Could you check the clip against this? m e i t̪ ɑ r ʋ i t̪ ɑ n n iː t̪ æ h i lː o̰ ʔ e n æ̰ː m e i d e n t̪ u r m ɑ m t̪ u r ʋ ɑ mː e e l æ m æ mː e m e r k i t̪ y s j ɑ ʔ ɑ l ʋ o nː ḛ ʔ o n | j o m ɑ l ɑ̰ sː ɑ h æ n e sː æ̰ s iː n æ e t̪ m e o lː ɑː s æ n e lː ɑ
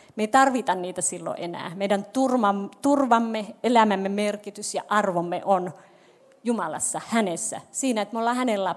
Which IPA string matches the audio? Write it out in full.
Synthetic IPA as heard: m e i t̪ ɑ r ʋ i t̪ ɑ n n iː t̪ æ s i lː o̰ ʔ e n æ̰ː m e i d æ n t̪ u r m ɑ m t̪ u r ʋ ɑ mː e e l æ m æ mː e m e r k i t̪ y s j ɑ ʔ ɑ r ʋ o mː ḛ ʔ o n | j u m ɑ l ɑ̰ sː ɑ h æ n e sː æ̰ s iː n æ e t̪ m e o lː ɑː h æ n e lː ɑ